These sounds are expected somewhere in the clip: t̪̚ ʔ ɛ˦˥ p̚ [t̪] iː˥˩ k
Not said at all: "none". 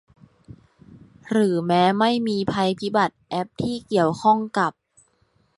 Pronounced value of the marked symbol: t̪ʰ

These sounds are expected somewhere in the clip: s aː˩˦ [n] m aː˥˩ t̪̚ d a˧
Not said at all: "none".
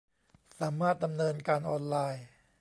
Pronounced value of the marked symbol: none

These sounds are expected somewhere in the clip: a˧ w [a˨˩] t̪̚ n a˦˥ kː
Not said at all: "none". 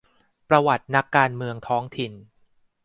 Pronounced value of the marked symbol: a˨˩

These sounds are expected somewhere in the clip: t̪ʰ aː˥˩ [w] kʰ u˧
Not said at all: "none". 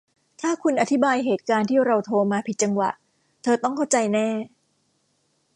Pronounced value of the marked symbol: none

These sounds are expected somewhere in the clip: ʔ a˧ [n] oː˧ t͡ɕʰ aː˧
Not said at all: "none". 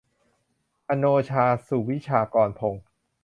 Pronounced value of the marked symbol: n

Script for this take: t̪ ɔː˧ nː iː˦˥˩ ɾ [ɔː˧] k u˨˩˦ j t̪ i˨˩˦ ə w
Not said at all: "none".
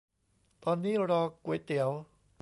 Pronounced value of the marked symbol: ɔː˧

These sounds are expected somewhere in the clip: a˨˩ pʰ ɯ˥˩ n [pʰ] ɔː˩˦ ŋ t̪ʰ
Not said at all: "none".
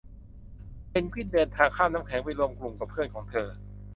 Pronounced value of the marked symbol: kʰ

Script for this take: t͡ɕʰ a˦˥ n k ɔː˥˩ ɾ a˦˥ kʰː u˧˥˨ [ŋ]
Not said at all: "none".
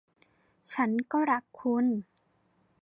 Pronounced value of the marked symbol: n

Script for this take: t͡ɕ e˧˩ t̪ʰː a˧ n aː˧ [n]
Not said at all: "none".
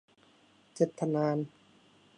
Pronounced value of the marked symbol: n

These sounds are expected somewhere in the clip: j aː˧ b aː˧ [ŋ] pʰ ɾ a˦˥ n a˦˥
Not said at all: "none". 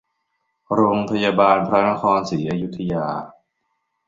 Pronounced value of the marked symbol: n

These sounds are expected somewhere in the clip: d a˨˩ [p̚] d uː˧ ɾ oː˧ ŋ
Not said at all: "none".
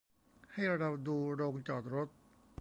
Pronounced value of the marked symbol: p̚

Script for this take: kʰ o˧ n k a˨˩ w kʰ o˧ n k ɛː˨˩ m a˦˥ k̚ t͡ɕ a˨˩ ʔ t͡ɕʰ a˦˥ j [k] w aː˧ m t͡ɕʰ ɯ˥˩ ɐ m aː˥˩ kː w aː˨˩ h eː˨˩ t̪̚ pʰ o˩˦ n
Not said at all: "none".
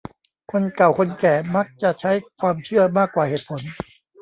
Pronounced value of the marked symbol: kʰ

